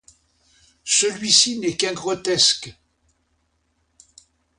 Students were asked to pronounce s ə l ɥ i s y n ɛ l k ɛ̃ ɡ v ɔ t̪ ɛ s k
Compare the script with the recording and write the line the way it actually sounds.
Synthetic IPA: s ə l ɥ i s i n ɛ k ɛ̃ ɡ ʁ ɔ t̪ ɛ s k